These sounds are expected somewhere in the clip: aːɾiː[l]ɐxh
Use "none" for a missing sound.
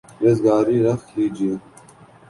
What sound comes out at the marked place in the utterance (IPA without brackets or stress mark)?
ɾ